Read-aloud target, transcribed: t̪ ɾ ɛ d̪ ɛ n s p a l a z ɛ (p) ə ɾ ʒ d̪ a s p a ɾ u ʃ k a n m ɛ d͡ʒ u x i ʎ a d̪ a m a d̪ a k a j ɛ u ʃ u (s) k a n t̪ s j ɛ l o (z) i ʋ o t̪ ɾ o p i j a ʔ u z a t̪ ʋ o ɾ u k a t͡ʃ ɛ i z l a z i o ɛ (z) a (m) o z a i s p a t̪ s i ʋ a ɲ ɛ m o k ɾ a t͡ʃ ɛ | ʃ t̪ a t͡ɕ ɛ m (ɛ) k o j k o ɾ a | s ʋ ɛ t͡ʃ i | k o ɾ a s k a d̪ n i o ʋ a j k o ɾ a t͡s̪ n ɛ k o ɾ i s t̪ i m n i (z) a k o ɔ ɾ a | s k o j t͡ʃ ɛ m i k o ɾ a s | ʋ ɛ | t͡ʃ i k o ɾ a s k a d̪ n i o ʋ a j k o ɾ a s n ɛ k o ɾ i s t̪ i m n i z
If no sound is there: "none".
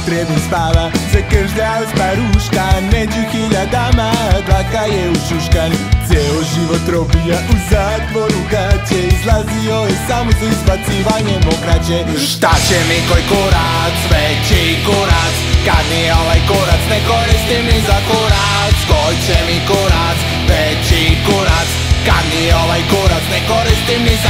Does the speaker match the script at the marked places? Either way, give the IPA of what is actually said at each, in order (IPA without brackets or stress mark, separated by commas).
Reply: k, ʃ, ʒ, s, m, i, z